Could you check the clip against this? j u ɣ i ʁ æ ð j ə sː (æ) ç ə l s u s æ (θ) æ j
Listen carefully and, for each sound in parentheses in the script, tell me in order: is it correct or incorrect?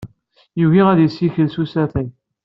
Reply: incorrect: i, correct

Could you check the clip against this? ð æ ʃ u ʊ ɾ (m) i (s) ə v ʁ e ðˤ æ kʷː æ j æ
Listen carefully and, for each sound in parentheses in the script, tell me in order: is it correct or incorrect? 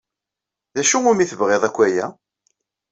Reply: correct, incorrect: θ

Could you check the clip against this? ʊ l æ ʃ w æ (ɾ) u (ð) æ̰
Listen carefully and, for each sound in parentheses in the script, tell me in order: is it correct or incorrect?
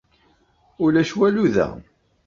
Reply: incorrect: l, correct

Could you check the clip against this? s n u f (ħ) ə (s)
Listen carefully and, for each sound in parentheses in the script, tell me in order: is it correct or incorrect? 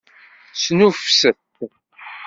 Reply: incorrect: s, incorrect: θ

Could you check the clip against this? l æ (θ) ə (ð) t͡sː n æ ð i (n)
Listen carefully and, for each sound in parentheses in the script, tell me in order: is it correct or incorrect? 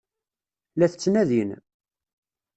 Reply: correct, incorrect: none, correct

